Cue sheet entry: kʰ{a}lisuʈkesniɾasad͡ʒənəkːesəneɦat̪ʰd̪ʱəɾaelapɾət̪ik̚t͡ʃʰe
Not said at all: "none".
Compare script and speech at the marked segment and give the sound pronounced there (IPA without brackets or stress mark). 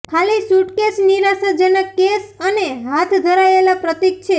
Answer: a